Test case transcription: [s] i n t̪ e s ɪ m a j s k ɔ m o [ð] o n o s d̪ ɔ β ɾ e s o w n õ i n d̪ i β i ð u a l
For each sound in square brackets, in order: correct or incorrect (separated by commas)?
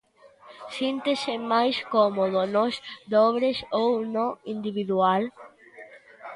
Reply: correct, correct